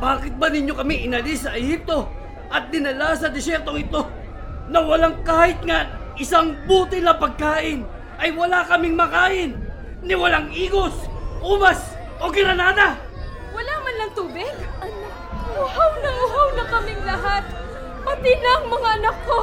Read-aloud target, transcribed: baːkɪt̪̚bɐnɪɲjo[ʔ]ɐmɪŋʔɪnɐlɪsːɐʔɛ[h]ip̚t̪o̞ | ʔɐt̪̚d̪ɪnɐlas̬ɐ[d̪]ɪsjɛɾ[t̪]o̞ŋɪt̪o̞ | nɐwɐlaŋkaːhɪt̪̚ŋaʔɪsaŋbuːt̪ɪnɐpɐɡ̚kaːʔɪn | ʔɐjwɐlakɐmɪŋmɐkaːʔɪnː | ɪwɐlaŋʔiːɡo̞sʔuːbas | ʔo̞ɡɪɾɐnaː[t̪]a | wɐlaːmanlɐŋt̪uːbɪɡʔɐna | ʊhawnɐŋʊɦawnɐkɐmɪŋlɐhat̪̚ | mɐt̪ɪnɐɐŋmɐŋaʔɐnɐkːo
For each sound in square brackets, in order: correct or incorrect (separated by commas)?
incorrect, correct, correct, correct, incorrect